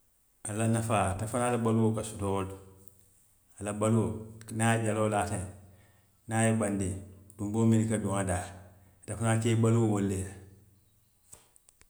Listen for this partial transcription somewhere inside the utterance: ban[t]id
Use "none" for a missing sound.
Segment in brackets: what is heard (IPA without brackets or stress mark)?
d